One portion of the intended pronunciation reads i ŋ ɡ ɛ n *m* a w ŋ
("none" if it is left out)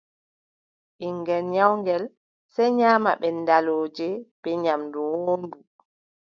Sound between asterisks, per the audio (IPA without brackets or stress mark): ɲ